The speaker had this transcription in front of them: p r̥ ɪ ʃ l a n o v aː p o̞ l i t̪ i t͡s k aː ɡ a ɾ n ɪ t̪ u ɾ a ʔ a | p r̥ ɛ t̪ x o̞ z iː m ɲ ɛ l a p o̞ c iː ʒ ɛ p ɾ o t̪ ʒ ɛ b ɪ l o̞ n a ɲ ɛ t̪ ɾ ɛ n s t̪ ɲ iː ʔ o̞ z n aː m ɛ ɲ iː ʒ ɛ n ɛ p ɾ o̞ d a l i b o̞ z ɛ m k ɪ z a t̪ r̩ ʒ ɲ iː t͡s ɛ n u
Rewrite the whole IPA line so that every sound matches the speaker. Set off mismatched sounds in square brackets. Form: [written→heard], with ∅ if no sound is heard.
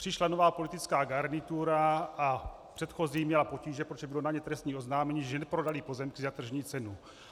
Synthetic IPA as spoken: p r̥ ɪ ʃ l a n o v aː p o̞ l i t̪ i t͡s k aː ɡ a ɾ n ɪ t̪ u ɾ a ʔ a | p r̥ ɛ t̪ x o̞ z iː m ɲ ɛ l a p o̞ c iː ʒ ɛ p ɾ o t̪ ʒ ɛ b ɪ l o̞ n a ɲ ɛ t̪ ɾ ɛ [n→∅] s t̪ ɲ iː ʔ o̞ z n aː m ɛ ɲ iː ʒ ɛ n ɛ p ɾ o̞ d a l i [b→p] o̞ z ɛ m k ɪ z a t̪ r̩ ʒ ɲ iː t͡s ɛ n u

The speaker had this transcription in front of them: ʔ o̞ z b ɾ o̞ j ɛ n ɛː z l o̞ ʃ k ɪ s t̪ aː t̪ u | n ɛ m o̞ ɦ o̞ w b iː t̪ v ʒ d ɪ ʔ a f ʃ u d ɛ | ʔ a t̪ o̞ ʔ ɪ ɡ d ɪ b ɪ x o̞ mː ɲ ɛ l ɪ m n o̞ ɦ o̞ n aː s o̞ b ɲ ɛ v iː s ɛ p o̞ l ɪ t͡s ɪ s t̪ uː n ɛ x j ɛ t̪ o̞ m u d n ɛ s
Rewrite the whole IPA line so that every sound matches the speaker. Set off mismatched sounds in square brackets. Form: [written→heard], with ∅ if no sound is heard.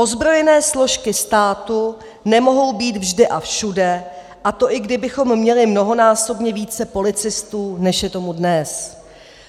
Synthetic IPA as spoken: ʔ o̞ z b ɾ o̞ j ɛ n ɛː [z→s] l o̞ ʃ k ɪ s t̪ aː t̪ u | n ɛ m o̞ ɦ o̞ w b iː t̪ v ʒ d ɪ ʔ a f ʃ u d ɛ | ʔ a t̪ o̞ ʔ ɪ ɡ d ɪ b ɪ x o̞ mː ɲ ɛ l ɪ m n o̞ ɦ o̞ n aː s o̞ b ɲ ɛ v iː [s→t͡s] ɛ p o̞ l ɪ t͡s ɪ s t̪ uː n ɛ [x→ʃ] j ɛ t̪ o̞ m u d n ɛ s

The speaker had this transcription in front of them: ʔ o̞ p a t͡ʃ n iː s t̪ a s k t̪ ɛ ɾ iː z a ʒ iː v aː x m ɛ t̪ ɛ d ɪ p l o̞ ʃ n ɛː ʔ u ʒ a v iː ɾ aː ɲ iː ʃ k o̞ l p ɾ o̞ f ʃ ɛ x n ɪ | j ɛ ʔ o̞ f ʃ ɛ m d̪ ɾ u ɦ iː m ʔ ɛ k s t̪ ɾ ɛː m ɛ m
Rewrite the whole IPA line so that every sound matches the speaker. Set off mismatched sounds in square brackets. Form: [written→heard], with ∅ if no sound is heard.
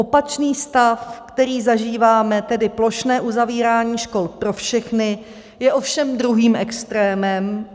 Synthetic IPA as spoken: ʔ o̞ p a t͡ʃ n iː s t̪ a [s→f] k t̪ ɛ ɾ iː z a ʒ iː v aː [x→∅] m ɛ t̪ ɛ d ɪ p l o̞ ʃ n ɛː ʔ u [ʒ→z] a v iː ɾ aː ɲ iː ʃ k o̞ l p ɾ o̞ f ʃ ɛ x n ɪ | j ɛ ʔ o̞ f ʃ ɛ m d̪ ɾ u ɦ iː m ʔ ɛ k s t̪ ɾ ɛː m ɛ m

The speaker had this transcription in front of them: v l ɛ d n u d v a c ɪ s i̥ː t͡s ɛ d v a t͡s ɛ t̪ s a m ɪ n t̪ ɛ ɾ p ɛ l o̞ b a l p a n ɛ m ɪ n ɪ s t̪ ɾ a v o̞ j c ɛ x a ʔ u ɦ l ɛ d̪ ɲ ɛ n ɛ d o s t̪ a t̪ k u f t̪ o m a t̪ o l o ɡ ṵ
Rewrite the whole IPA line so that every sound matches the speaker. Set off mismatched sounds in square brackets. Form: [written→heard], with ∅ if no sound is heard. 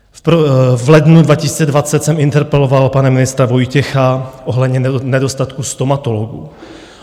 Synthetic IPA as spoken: v l ɛ d n u d v a c ɪ s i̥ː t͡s ɛ d v a t͡s ɛ t̪ s [a→ɛ] m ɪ n t̪ ɛ ɾ p ɛ l o̞ [b→v] a l p a n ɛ m ɪ n ɪ s t̪ ɾ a v o̞ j c ɛ x a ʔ [u→o] ɦ l ɛ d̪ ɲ ɛ n ɛ d o s t̪ a t̪ k u [f→s] t̪ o m a t̪ o l o ɡ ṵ

